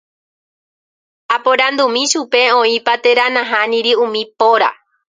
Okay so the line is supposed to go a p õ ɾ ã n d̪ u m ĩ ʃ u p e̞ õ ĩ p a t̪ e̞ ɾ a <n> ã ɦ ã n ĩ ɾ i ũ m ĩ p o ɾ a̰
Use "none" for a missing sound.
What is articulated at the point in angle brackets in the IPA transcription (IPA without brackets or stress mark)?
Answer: n